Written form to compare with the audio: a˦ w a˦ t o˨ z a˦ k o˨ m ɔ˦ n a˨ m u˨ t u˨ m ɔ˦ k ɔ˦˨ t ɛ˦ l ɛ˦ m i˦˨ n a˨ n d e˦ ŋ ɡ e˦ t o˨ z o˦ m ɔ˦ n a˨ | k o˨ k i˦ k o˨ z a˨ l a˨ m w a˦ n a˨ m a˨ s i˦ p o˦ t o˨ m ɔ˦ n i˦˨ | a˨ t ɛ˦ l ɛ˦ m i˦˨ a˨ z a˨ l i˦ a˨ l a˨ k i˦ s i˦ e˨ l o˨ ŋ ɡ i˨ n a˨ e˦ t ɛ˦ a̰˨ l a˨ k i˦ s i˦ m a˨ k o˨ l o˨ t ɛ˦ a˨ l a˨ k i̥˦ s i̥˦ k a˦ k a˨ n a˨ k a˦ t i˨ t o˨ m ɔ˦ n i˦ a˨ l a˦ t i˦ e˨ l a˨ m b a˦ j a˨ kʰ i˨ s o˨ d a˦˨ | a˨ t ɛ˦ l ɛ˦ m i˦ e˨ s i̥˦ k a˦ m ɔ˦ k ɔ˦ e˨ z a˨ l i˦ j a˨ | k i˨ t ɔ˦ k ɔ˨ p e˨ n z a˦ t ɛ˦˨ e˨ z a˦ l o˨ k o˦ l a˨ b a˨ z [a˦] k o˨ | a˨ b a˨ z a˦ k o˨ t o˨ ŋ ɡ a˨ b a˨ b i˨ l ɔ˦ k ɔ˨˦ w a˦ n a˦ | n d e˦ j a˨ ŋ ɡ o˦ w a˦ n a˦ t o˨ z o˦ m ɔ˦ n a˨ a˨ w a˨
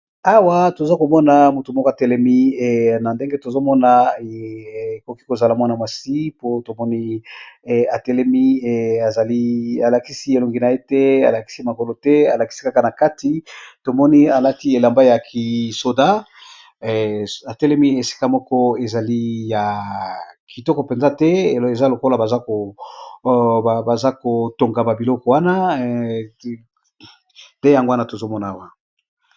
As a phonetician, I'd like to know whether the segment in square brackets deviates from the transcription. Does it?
no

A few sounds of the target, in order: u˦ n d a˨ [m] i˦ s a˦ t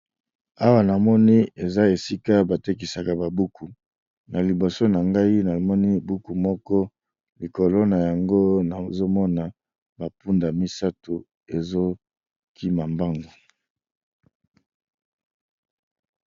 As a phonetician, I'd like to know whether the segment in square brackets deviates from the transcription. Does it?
no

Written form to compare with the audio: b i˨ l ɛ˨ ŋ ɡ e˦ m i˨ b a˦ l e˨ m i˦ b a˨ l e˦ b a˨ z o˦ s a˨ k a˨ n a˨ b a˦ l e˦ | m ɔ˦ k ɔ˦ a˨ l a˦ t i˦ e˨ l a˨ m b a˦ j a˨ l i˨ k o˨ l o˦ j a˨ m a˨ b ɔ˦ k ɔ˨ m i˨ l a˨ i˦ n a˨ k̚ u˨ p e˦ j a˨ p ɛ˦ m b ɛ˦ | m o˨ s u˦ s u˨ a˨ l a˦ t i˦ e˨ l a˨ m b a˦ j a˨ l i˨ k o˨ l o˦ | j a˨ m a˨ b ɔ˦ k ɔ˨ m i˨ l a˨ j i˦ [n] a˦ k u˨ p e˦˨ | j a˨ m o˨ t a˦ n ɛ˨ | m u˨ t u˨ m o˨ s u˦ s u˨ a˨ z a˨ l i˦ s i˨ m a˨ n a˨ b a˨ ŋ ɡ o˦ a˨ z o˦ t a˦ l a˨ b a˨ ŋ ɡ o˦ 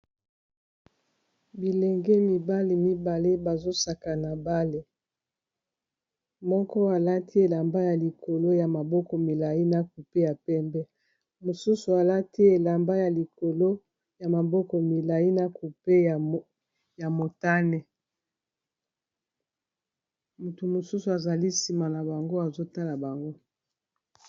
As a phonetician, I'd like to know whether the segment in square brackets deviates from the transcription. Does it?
no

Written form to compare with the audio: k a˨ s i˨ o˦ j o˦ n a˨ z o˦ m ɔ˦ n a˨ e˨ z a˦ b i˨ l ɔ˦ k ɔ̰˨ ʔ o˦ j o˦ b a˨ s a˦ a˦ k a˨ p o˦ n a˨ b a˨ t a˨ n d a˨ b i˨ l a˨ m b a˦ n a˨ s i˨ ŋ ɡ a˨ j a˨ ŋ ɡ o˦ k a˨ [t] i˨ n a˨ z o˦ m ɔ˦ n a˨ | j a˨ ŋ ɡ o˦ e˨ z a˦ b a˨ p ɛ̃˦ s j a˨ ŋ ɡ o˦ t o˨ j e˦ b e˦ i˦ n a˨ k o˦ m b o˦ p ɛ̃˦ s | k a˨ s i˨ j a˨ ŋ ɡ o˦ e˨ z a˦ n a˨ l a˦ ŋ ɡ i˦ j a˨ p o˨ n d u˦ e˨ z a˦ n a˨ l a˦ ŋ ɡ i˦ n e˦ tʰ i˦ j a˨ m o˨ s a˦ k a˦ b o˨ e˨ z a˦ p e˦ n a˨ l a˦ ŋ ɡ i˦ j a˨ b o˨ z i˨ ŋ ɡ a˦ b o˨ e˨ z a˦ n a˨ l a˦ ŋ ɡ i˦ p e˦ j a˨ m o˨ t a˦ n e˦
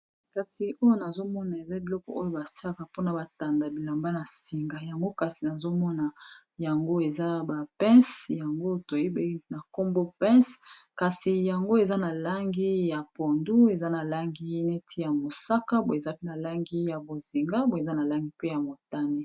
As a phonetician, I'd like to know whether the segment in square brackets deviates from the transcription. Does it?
yes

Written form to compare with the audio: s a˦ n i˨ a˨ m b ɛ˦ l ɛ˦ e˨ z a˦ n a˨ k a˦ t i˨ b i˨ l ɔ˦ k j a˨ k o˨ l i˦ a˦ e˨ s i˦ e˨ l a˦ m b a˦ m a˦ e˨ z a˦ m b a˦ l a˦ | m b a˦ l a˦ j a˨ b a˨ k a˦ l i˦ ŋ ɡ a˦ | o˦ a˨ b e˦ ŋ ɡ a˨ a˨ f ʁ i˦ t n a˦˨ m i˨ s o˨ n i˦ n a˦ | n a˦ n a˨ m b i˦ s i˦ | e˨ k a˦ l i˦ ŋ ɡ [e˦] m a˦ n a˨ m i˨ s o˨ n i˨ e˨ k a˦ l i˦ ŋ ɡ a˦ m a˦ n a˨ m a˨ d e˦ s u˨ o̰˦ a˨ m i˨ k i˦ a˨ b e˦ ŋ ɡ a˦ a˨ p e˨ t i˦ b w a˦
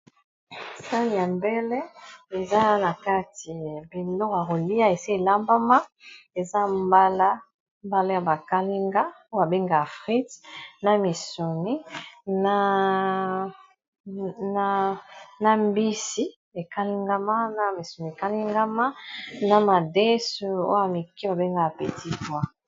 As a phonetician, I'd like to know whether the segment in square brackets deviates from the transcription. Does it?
yes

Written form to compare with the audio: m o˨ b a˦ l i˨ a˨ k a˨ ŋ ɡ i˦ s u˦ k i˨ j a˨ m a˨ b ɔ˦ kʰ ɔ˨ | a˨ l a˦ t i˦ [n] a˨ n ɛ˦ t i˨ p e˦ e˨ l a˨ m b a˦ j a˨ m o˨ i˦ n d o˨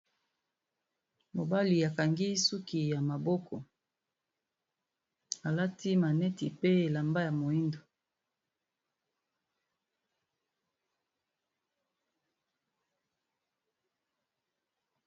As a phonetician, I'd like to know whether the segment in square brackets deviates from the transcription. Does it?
yes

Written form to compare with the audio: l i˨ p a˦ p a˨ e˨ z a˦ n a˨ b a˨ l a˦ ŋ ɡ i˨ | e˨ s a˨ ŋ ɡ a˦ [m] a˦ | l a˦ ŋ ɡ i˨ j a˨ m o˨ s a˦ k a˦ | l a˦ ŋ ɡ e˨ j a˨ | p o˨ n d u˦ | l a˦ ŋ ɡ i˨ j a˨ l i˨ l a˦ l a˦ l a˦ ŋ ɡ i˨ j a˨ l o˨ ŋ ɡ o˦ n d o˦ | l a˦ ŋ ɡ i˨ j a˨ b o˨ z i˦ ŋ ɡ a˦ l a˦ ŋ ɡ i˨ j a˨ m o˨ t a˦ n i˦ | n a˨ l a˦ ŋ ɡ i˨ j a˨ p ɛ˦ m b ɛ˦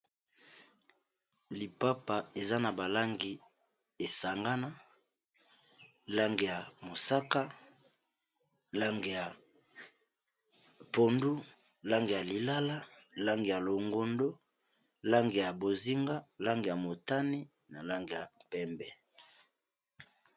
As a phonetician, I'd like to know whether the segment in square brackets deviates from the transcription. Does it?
yes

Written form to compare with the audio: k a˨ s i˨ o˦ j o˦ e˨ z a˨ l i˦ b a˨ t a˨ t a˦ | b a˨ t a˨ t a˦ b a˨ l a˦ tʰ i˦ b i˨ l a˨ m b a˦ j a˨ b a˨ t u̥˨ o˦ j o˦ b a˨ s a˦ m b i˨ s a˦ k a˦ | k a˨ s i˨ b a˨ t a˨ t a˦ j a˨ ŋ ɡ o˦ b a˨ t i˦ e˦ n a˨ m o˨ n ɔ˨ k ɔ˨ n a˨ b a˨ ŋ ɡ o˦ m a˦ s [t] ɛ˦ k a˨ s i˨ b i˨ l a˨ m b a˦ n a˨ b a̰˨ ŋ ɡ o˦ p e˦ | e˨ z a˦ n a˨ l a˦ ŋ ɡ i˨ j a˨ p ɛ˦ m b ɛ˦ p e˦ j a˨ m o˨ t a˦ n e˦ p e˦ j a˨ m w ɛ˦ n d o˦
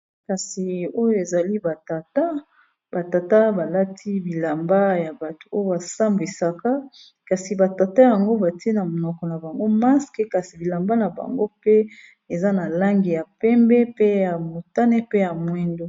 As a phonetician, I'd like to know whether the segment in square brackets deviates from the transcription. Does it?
yes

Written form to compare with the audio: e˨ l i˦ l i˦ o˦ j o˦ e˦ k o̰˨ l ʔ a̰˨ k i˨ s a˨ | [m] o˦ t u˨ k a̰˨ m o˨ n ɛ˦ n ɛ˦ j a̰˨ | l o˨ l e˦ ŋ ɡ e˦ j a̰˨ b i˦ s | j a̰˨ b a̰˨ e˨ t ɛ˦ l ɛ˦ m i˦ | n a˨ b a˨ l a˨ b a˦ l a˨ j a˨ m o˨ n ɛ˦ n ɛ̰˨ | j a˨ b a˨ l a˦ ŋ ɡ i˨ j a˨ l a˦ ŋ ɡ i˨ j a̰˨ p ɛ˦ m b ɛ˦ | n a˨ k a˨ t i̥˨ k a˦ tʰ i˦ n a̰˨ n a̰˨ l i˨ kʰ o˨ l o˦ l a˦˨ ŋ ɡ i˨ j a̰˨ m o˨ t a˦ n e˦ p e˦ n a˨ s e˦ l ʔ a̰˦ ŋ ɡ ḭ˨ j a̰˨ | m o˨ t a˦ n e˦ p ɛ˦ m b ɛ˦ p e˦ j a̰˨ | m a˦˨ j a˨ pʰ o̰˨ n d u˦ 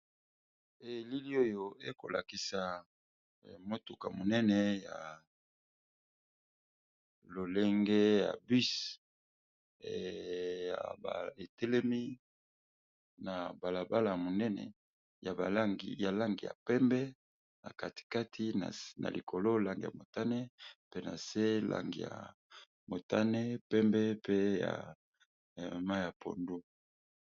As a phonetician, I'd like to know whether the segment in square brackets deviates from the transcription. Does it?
no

